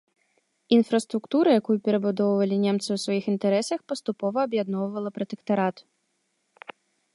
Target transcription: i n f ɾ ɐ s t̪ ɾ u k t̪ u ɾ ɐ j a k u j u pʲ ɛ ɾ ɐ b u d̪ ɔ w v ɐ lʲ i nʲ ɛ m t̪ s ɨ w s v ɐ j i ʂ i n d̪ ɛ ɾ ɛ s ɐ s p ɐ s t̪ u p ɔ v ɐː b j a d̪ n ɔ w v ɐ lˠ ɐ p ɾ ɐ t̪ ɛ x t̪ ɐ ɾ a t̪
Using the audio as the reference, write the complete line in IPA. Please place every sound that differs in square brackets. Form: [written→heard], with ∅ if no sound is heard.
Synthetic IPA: i n f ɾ ɐ s t̪ ɾ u k t̪ u ɾ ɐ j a k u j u pʲ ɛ ɾ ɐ b u d̪ ɔ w v ɐ lʲ i nʲ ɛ m t̪ s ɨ w s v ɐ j i [ʂ→x] i n [d̪→t̪] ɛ ɾ ɛ s ɐ [s→x] p ɐ s t̪ u p ɔ v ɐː b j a d̪ n ɔ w v ɐ lˠ ɐ p ɾ ɐ t̪ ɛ [x→k] t̪ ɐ ɾ a t̪